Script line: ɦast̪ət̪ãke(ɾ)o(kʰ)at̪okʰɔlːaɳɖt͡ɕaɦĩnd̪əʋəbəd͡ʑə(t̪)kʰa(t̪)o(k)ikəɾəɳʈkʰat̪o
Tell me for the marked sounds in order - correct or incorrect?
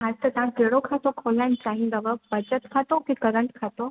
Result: incorrect: ɽ, correct, correct, correct, correct

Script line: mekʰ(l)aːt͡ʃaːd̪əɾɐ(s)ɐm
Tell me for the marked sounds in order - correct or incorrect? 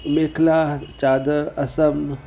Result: correct, correct

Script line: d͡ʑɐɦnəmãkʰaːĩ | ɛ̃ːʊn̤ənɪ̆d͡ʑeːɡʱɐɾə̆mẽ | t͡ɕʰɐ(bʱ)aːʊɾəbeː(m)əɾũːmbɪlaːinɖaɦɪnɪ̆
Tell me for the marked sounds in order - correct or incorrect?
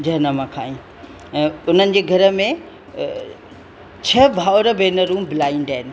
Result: correct, incorrect: n

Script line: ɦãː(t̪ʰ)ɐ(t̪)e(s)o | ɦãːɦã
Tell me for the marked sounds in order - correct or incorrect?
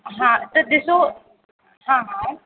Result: incorrect: t̪, incorrect: d̪, correct

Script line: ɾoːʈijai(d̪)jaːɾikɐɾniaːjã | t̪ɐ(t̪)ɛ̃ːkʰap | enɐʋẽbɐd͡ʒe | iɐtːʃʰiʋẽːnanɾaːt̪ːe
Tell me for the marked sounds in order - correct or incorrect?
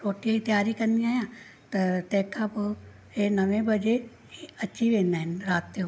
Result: incorrect: t̪, correct

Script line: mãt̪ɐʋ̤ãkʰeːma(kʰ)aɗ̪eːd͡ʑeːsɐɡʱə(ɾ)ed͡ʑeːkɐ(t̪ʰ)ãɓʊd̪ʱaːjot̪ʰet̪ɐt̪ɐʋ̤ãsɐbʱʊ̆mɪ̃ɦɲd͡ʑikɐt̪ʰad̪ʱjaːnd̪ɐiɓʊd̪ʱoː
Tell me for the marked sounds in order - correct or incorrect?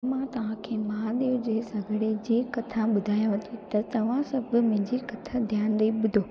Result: incorrect: none, incorrect: ɽ, correct

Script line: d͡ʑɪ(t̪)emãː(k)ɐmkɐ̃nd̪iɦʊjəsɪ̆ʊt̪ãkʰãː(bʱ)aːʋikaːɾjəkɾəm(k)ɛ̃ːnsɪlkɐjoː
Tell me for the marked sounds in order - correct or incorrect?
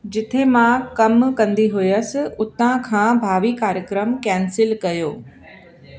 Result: incorrect: t̪ʰ, correct, correct, correct

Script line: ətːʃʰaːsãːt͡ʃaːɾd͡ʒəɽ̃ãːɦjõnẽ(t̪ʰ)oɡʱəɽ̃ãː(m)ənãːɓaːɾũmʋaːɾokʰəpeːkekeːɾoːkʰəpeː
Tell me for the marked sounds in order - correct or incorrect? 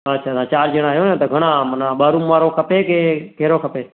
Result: incorrect: t̪, correct

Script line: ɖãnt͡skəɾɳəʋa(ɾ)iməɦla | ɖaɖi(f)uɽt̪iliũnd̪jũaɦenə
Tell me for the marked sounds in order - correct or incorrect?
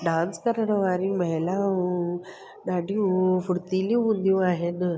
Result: correct, correct

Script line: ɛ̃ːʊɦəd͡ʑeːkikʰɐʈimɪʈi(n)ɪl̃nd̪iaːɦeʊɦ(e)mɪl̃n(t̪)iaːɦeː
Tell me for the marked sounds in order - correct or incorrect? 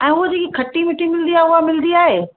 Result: incorrect: m, incorrect: a, incorrect: d̪

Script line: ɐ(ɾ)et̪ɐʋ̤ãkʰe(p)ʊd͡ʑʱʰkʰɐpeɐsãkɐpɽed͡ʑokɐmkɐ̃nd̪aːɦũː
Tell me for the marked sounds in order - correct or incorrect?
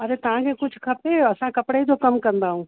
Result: correct, incorrect: k

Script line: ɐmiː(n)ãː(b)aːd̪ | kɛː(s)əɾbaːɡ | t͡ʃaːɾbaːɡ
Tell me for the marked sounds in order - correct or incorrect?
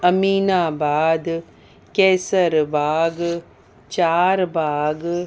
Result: correct, correct, correct

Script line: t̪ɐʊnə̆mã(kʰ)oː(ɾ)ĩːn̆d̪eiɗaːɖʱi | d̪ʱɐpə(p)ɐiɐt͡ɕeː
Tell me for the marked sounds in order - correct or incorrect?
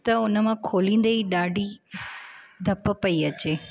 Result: correct, incorrect: l, correct

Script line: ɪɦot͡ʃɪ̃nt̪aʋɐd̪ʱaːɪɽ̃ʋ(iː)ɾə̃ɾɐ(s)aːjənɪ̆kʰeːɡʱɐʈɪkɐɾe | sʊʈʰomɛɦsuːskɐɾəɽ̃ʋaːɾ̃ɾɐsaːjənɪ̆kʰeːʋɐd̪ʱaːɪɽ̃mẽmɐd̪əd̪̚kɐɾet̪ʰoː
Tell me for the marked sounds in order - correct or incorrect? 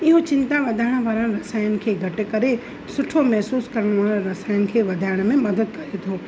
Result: incorrect: aː, correct

